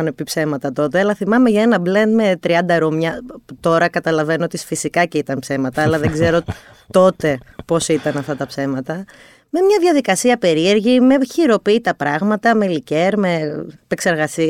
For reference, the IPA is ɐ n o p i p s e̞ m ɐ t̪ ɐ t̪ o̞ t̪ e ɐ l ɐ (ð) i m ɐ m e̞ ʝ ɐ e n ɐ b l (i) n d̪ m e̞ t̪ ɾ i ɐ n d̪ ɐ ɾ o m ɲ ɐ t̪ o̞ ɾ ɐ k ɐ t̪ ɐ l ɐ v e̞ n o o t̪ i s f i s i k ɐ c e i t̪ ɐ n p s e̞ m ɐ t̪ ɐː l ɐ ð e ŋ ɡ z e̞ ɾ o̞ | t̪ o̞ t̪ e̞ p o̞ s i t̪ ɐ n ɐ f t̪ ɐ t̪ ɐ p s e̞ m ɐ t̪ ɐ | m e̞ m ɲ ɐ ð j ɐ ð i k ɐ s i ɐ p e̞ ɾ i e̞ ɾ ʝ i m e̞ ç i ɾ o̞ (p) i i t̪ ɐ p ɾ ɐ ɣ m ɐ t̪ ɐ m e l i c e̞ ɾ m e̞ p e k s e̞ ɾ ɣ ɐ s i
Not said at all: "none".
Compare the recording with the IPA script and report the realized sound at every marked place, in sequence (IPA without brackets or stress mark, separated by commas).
θ, e, p